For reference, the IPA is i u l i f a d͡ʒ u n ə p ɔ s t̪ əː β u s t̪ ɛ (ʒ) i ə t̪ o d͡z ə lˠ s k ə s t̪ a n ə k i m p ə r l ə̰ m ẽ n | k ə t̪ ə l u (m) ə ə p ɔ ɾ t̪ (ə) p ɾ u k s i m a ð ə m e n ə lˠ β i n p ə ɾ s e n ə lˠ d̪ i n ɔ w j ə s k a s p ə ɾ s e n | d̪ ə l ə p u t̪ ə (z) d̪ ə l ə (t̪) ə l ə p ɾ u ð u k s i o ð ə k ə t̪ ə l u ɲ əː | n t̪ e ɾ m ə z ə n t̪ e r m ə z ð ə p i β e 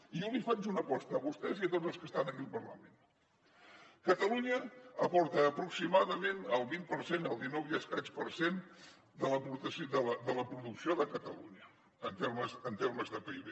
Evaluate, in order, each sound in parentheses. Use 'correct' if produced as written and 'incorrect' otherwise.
incorrect, incorrect, incorrect, incorrect, incorrect

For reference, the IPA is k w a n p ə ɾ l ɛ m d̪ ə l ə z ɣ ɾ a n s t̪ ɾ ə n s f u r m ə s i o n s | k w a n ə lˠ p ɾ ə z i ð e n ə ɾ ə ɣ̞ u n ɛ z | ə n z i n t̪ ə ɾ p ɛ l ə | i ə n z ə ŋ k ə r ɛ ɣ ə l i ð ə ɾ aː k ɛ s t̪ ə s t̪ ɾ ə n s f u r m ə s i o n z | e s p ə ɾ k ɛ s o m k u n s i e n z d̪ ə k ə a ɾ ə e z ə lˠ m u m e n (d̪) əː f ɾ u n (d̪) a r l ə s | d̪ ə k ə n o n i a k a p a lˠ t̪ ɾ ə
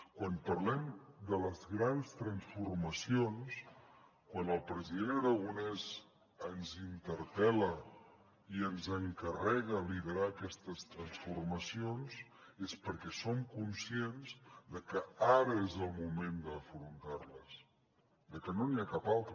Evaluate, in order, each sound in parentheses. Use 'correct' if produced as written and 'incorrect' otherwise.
correct, incorrect

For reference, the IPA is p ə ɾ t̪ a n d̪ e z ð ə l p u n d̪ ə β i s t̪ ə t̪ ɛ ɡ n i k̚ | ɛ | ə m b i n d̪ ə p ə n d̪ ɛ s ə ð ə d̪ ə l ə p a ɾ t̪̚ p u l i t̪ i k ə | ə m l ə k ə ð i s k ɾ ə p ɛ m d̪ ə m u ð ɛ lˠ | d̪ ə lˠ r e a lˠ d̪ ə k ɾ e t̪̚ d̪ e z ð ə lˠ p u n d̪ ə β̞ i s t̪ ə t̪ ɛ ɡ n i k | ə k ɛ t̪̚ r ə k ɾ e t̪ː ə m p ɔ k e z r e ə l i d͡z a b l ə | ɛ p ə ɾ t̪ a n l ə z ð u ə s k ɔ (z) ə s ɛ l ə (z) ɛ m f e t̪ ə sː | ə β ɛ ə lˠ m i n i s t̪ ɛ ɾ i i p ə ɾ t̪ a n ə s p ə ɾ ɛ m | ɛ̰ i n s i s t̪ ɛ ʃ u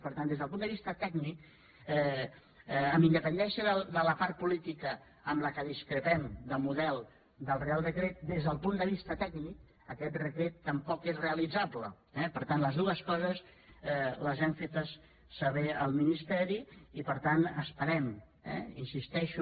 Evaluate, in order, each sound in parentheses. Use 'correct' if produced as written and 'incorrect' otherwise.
correct, correct

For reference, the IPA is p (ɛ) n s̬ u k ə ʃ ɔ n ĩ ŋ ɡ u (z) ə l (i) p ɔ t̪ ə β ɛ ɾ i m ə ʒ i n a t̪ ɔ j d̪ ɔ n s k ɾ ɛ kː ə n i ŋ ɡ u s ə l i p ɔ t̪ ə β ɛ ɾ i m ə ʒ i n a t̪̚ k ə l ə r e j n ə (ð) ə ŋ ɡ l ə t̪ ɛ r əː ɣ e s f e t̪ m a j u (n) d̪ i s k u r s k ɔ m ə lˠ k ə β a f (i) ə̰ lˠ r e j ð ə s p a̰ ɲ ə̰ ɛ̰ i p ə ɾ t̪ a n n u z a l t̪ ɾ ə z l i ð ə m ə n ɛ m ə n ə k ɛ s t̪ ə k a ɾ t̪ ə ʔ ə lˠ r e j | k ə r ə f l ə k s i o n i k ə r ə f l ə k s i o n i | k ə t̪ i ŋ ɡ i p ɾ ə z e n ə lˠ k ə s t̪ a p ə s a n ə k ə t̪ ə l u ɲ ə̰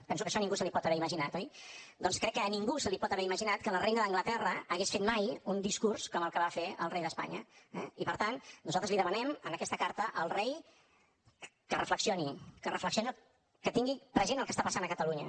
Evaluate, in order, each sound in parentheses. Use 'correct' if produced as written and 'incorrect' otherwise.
correct, incorrect, correct, correct, correct, incorrect

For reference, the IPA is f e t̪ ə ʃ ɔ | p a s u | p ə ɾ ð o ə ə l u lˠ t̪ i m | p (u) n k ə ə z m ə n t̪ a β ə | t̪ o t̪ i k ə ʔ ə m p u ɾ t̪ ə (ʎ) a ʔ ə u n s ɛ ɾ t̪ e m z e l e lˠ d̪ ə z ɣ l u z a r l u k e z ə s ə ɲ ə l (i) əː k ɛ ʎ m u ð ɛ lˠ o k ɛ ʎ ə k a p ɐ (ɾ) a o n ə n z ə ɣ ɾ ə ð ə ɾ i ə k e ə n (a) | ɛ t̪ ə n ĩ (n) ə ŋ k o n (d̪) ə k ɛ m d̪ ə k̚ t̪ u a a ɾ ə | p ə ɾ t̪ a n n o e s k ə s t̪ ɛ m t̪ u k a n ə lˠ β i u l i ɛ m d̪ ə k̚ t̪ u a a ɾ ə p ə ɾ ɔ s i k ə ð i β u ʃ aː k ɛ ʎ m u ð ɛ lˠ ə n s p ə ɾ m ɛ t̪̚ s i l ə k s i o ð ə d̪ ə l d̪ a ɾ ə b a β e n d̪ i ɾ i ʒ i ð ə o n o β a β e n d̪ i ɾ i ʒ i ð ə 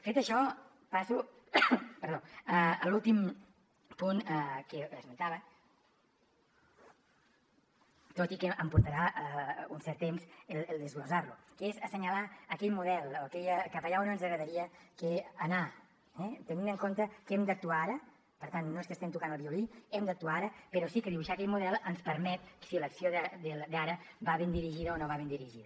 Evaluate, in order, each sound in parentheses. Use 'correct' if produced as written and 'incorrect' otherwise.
correct, incorrect, incorrect, incorrect, correct, correct, incorrect

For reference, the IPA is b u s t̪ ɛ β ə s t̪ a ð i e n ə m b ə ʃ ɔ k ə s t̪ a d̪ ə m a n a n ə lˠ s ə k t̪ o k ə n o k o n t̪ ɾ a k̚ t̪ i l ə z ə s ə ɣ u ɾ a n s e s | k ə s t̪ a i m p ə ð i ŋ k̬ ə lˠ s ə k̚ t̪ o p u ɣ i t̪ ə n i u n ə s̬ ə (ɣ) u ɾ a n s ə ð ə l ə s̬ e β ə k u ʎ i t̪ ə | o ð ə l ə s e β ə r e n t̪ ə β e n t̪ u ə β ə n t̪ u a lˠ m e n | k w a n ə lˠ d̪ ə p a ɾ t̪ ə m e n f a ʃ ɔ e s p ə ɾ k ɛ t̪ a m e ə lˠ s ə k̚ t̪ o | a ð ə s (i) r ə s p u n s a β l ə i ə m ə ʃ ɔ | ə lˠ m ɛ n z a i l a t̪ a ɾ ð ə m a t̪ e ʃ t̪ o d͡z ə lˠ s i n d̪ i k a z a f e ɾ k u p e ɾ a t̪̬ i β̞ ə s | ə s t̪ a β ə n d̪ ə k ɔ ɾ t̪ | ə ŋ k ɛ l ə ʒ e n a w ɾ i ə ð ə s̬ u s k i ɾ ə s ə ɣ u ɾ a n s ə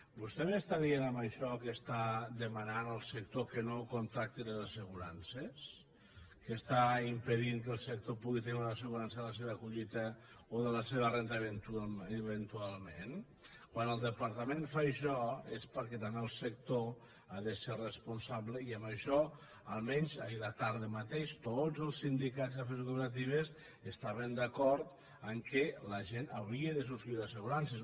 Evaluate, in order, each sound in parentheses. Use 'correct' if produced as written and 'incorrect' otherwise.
correct, incorrect

